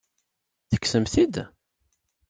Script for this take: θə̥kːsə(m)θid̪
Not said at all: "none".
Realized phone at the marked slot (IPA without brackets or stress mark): m